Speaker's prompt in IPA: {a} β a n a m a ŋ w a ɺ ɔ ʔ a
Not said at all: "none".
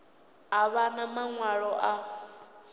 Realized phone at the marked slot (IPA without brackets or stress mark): a